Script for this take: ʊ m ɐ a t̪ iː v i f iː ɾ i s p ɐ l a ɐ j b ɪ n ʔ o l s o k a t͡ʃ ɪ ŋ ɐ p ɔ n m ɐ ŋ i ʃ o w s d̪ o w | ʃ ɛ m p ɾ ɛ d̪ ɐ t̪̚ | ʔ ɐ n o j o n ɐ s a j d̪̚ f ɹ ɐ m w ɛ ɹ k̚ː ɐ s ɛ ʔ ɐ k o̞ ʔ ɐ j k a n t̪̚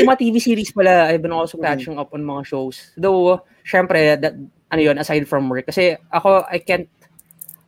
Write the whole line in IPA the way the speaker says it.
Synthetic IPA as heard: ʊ m ɐ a t̪ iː v i s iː ɾ i s p ɐ l a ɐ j b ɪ n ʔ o l s o k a t͡ʃ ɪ ŋ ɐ p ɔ n m ɐ ŋ a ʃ o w s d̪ o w | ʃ ɛ m p ɾ ɛ d̪ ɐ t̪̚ | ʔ ɐ n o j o n ɐ s a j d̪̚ f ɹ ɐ m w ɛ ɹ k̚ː ɐ s ɛ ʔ ɐ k o̞ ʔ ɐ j k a n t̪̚